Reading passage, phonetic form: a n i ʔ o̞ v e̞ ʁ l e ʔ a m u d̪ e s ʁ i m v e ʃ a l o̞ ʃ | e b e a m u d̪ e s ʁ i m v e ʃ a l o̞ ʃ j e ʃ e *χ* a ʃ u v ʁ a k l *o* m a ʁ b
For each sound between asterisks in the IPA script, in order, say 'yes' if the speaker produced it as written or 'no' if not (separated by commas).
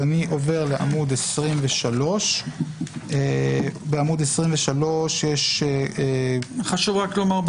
yes, yes